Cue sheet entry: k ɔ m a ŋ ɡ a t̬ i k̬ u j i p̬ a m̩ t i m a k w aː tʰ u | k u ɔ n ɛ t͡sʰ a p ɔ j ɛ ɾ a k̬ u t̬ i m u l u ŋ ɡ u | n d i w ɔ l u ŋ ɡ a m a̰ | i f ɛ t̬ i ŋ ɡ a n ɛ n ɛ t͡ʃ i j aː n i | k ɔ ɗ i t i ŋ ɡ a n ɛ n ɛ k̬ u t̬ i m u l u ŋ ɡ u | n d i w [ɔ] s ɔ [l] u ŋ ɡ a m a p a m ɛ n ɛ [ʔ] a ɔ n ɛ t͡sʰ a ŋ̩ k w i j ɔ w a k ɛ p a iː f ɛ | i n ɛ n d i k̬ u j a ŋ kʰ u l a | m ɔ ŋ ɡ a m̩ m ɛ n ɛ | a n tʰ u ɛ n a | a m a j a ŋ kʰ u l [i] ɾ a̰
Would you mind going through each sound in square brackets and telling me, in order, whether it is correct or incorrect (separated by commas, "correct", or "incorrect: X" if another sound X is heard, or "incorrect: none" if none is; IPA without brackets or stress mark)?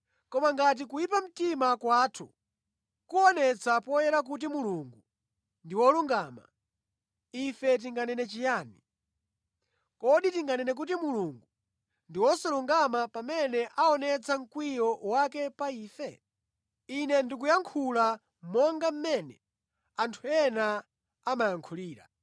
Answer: correct, correct, correct, incorrect: iː